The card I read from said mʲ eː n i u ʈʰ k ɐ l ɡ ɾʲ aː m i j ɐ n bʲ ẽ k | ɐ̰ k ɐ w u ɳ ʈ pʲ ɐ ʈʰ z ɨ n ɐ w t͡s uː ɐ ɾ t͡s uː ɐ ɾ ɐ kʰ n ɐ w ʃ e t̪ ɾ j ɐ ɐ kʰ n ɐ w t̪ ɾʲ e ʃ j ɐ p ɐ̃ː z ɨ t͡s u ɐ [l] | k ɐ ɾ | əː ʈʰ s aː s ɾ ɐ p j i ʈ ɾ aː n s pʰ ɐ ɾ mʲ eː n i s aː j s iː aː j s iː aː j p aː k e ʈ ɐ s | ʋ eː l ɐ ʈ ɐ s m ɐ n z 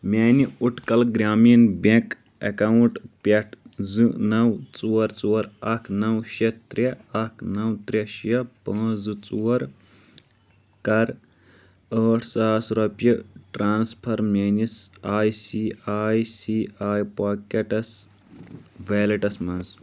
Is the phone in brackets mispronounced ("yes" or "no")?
yes